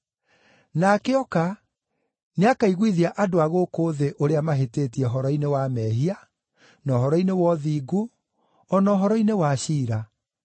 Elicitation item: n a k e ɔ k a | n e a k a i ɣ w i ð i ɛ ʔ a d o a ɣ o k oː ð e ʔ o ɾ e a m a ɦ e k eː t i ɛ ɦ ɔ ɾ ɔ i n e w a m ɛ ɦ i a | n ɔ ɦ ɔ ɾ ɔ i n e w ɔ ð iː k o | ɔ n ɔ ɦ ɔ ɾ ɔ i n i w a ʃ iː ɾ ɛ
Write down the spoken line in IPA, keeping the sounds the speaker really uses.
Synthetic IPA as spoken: n a k e ɔ k a | n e a k a i ɣ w i ð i a ʔ a d o a ɣ o k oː ð e ʔ o ɾ e a m a ɦ e t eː t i ɛ ɦ ɔ ɾ ɔ i n e w a m ɛ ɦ i a | n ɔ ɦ ɔ ɾ ɔ i n e w ɔ ð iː ɡ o | ɔ n ɔ ɦ ɔ ɾ ɔ i n e w a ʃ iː ɾ a